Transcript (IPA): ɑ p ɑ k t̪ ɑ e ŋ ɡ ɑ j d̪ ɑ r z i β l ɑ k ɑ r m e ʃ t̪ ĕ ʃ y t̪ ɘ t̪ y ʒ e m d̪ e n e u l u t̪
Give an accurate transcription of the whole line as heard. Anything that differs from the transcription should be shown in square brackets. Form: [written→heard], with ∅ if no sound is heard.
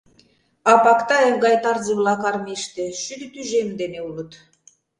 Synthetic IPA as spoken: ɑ p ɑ k t̪ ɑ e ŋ ɡ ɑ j [d̪→t̪] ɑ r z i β l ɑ k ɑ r m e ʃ t̪ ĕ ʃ y [t̪→d̪] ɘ t̪ y ʒ e m d̪ e n e u l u t̪